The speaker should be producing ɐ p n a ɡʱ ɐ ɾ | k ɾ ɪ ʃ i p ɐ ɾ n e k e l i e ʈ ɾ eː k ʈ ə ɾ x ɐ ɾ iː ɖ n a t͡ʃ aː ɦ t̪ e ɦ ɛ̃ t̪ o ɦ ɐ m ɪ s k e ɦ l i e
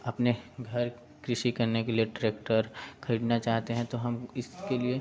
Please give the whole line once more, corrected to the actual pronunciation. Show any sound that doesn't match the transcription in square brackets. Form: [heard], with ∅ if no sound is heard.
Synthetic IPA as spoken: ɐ p n [e] ɡʱ ɐ ɾ | k ɾ ɪ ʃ i [k] ɐ ɾ n e k e l i e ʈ ɾ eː k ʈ ə ɾ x ɐ ɾ iː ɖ n a t͡ʃ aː ɦ t̪ e ɦ ɛ̃ t̪ o ɦ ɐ m ɪ s k e [∅] l i e

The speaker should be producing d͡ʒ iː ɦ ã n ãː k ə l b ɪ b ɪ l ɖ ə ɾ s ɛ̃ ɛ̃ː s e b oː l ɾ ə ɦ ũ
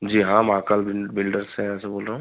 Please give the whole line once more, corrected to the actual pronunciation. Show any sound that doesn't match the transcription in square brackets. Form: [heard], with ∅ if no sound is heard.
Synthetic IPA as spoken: d͡ʒ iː ɦ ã [m] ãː k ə l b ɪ b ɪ l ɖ ə ɾ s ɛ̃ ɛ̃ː s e b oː l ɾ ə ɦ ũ

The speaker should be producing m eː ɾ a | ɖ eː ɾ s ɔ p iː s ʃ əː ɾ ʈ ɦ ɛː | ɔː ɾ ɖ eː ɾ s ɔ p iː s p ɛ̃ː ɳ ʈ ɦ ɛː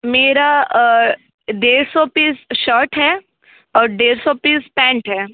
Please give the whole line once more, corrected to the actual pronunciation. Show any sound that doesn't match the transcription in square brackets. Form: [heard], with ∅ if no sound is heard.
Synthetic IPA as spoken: m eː ɾ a | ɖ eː ɾ s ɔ p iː s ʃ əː ɾ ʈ ɦ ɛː | ɔː ɾ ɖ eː ɾ s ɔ p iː s p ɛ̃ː ɳ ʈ ɦ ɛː

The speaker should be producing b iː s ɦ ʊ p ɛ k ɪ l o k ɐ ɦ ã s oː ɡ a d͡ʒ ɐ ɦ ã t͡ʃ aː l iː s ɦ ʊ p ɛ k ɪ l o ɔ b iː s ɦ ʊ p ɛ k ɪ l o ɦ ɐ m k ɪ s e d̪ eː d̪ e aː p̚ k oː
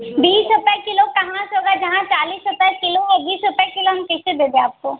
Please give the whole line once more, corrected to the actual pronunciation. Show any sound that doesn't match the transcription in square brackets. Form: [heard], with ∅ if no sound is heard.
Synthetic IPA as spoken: b iː s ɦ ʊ p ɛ k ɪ l o k ɐ ɦ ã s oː ɡ a d͡ʒ ɐ ɦ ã t͡ʃ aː l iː s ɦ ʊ p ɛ k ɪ l o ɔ b iː s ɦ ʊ p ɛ k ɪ l o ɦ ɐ m k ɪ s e d̪ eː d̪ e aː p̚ k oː

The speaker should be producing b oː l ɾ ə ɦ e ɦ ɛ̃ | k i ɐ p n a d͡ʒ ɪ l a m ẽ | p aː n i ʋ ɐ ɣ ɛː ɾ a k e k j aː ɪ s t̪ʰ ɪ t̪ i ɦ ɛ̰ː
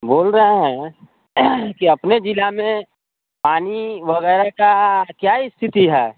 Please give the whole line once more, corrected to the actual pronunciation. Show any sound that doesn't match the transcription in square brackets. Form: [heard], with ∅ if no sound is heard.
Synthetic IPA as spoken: b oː l ɾ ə ɦ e ɦ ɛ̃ | k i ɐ p n [e] d͡ʒ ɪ l a m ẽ | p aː n i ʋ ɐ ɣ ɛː ɾ a k [a] k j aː ɪ s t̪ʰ ɪ t̪ i ɦ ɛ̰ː

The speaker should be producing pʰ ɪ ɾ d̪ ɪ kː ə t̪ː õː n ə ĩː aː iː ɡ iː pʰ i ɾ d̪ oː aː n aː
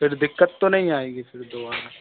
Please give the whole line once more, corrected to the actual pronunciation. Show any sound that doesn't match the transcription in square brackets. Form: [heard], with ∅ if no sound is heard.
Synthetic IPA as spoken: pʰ ɪ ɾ d̪ ɪ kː ə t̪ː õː n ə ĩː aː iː ɡ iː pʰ [ɪ] ɾ d̪ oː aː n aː

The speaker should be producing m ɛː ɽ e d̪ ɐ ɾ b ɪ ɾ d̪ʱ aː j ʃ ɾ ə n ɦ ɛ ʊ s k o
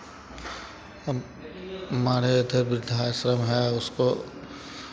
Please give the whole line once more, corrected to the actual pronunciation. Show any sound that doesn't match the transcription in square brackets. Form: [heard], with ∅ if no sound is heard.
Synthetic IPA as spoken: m [aː] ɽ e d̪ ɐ ɾ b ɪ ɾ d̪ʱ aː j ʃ ɾ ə [m] ɦ ɛ ʊ s k o

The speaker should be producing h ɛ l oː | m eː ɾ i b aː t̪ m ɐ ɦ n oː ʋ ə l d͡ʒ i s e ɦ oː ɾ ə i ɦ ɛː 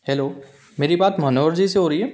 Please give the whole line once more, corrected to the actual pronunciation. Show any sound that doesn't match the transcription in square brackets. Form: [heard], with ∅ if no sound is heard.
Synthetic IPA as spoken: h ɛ l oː | m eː ɾ i b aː t̪ m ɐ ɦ n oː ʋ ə [ɾ] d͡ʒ i s e ɦ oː ɾ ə i ɦ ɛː

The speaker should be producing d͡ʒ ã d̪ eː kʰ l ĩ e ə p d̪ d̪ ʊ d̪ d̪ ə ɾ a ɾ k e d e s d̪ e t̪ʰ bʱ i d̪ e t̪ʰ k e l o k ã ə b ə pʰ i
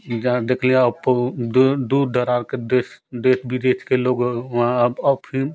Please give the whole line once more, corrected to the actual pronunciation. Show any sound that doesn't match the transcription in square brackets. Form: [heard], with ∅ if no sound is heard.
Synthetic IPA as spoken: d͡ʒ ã d̪ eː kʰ l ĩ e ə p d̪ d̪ [u] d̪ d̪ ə ɾ a ɾ k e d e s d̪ e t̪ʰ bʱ i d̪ e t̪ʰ k e l o [ɡ] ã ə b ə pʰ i

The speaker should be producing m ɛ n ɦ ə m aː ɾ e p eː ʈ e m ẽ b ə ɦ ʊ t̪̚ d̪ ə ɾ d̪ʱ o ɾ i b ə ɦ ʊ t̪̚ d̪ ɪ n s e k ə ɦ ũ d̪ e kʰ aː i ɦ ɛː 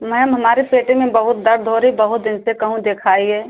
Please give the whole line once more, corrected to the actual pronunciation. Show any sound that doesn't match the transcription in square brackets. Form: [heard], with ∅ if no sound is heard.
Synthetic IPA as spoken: m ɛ [m] ɦ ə m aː ɾ e p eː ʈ e m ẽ b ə ɦ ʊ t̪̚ d̪ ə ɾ d̪ʱ o ɾ i b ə ɦ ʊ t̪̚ d̪ ɪ n s e k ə ɦ ũ d̪ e kʰ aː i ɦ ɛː

